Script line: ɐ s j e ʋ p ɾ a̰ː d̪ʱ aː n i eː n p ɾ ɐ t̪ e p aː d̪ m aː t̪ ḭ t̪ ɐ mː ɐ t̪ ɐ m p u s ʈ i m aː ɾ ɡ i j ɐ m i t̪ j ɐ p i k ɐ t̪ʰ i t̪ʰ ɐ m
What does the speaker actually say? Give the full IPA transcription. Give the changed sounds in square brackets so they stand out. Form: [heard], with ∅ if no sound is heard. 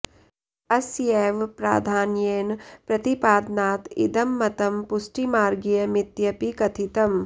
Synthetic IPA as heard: ɐ s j e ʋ p ɾ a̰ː d̪ʱ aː n [j] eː n p ɾ ɐ t̪ [i] p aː d̪ [n] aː t̪ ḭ [d̪] ɐ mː ɐ t̪ ɐ m p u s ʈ i m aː ɾ ɡ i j ɐ m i t̪ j ɐ p i k ɐ t̪ʰ i [t̪] ɐ m

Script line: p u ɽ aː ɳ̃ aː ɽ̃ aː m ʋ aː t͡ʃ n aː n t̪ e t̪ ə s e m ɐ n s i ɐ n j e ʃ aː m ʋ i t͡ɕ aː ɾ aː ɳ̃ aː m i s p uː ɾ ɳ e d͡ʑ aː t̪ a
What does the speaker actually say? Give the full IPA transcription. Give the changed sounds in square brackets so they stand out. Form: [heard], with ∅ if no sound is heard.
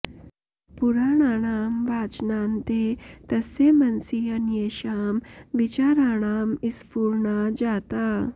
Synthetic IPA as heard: p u [ɾ] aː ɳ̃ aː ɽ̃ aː m ʋ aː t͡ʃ n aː n t̪ e t̪ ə s e m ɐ n s i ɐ n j e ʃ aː m ʋ i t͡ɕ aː ɾ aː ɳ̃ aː m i s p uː ɾ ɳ [a] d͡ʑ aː t̪ a

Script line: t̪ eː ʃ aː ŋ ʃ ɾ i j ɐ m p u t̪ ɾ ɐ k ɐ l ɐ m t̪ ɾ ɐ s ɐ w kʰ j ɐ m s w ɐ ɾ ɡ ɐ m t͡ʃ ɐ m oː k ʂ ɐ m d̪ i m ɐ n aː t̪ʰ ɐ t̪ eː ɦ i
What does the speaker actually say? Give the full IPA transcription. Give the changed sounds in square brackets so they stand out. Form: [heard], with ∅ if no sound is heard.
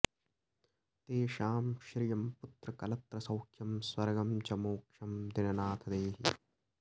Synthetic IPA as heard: t̪ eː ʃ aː [m] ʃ ɾ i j ɐ m p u t̪ ɾ ɐ k ɐ l ɐ [∅] t̪ ɾ ɐ s ɐ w kʰ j ɐ m s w ɐ ɾ ɡ ɐ m t͡ʃ ɐ m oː k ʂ ɐ m d̪ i [n] ɐ n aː t̪ʰ ɐ [d̪] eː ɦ i

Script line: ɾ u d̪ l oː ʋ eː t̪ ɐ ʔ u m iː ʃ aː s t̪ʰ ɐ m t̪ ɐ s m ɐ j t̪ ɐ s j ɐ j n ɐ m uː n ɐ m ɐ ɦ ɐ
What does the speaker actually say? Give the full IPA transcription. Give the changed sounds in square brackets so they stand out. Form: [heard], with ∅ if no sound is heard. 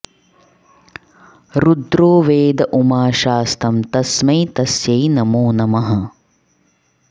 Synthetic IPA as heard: ɾ u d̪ [ɾ] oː ʋ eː [d̪] ɐ ʔ u m [aː] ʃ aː s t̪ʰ ɐ m t̪ ɐ s m ɐ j t̪ ɐ s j ɐ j n ɐ m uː n ɐ m ɐ ɦ ɐ

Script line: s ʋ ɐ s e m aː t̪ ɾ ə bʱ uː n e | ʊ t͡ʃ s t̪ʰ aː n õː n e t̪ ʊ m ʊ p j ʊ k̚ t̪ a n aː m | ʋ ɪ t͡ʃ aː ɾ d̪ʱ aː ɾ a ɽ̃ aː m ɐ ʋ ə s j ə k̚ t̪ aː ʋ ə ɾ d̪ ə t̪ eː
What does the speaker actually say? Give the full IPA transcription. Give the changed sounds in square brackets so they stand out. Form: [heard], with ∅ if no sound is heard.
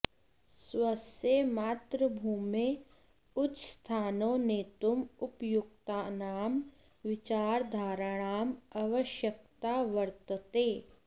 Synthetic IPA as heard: s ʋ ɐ s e m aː t̪ ɾ ə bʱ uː [m] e | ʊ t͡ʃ s t̪ʰ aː n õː n e t̪ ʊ m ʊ p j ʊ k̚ t̪ a n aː m | ʋ ɪ t͡ʃ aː ɾ d̪ʱ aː ɾ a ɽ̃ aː m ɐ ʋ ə [ʃ] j ə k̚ t̪ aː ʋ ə ɾ [t̪] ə t̪ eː

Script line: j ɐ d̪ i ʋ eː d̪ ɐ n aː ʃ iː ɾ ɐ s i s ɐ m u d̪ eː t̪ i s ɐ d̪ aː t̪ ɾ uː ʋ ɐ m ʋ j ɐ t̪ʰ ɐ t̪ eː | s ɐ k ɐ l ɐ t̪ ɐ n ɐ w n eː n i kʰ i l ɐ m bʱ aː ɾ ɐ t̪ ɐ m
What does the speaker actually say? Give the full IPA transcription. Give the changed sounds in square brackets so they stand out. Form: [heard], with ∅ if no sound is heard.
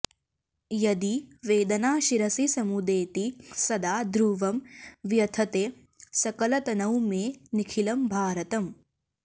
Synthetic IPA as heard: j ɐ d̪ i ʋ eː d̪ ɐ n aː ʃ [i] ɾ ɐ s i s ɐ m u d̪ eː t̪ i s ɐ d̪ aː [d̪] ɾ uː ʋ ɐ m ʋ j ɐ t̪ʰ ɐ t̪ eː | s ɐ k ɐ l ɐ t̪ ɐ n ɐ w [m] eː n i kʰ i l ɐ m bʱ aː ɾ ɐ t̪ ɐ m

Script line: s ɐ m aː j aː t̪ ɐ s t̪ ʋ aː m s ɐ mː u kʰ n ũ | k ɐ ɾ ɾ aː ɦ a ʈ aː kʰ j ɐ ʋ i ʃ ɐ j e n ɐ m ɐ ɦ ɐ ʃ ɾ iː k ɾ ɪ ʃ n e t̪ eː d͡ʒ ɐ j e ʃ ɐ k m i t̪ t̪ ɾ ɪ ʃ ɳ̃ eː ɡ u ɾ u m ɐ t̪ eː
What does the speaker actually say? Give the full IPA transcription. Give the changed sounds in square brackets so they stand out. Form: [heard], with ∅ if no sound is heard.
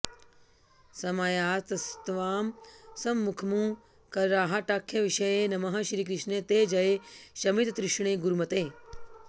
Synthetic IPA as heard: s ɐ m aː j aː t̪ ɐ s t̪ ʋ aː m s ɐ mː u kʰ [m] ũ | k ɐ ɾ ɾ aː ɦ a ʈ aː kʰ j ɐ ʋ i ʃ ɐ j e n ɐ m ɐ ɦ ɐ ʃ ɾ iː k ɾ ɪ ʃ n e t̪ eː d͡ʒ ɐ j e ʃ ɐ [∅] m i t̪ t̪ ɾ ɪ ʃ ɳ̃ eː ɡ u ɾ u m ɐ t̪ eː

